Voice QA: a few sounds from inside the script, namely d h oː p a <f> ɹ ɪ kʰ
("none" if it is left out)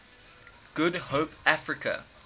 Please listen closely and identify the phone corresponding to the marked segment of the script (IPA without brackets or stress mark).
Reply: f